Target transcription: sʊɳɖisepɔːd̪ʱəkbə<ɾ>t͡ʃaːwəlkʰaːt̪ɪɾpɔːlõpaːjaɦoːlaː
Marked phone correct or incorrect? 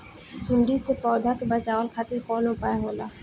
incorrect